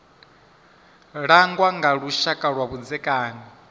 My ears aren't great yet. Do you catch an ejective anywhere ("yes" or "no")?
yes